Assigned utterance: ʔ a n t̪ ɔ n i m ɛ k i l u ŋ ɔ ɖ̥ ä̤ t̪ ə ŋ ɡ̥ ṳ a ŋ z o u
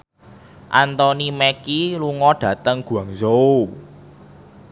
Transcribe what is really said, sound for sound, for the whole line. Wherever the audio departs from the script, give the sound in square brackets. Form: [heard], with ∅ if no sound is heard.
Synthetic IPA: ʔ a n t̪ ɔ n i m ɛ k i l u ŋ ɔ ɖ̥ ä̤ t̪ ə ŋ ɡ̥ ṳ a ŋ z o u